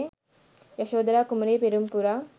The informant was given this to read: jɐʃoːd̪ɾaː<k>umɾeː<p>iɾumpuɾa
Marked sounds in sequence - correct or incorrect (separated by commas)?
correct, correct